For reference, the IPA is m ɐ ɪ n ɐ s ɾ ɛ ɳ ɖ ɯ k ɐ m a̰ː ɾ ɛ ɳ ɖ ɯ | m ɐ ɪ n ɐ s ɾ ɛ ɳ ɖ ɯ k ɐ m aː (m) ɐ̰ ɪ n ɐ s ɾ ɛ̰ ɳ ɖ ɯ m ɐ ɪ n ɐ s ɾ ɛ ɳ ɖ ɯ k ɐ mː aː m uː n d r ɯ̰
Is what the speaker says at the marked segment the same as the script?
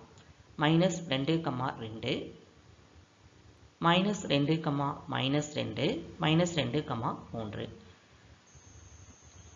yes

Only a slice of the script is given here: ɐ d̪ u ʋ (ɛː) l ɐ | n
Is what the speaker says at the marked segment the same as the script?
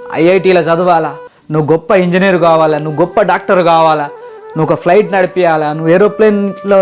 no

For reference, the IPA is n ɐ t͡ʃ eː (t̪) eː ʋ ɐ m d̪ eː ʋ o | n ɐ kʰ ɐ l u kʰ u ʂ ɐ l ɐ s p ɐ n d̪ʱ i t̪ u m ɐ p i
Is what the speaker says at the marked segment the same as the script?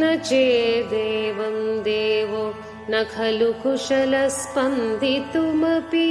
no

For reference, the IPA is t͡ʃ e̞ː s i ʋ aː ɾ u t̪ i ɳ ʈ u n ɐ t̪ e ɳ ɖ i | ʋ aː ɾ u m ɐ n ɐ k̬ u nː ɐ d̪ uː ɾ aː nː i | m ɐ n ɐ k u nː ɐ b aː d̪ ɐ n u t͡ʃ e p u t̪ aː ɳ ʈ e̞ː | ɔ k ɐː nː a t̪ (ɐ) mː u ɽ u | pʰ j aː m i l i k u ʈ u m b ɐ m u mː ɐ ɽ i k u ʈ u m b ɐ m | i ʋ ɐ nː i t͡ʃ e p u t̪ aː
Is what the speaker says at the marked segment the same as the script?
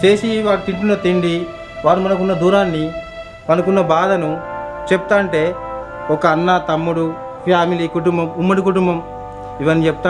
yes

